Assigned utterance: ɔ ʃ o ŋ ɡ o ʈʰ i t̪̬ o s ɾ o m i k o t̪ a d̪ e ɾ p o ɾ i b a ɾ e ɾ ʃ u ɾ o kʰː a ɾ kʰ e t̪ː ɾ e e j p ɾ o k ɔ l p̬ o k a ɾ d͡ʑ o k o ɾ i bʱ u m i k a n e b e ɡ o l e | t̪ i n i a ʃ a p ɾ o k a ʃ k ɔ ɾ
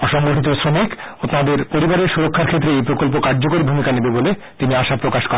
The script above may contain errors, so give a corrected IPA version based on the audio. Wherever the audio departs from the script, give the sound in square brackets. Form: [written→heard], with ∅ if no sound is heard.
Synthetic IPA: ɔ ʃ [o→ɔ] ŋ ɡ o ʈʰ i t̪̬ o s ɾ o m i k o t̪ a d̪ e ɾ p o ɾ i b a ɾ e ɾ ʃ u ɾ o kʰː a ɾ kʰ e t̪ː ɾ e e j p ɾ o k [ɔ→o] l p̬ o k a ɾ d͡ʑ o k o ɾ i bʱ u m i k a n e b e [ɡ→b] o l e | t̪ i n i a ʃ a p ɾ o k a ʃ k ɔ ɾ